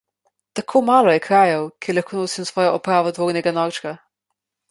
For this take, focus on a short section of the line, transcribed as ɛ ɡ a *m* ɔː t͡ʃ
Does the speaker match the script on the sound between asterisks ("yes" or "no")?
no